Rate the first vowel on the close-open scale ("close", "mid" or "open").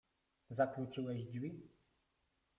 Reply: open